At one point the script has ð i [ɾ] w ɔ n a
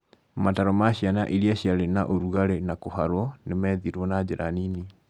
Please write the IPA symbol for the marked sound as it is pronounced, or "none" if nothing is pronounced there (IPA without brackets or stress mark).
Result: ɾ